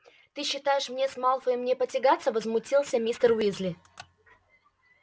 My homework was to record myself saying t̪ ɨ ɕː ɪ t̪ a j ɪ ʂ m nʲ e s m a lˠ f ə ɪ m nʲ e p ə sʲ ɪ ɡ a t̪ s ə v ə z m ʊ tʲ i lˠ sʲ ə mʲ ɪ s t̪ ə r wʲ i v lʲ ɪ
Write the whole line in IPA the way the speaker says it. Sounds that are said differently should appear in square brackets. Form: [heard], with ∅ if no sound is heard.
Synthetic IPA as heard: t̪ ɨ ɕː ɪ t̪ a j ɪ ʂ m nʲ e s m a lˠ f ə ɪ m nʲ e p ə [tʲ] ɪ ɡ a t̪ s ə v ə z m ʊ tʲ i lˠ sʲ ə mʲ [i] s t̪ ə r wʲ i [z] lʲ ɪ